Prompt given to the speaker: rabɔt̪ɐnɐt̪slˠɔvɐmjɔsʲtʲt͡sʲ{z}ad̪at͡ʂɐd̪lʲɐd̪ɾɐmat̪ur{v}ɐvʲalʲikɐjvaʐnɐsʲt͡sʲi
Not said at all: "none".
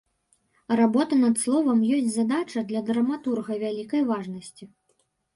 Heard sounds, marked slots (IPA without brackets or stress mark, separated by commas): z, ɣ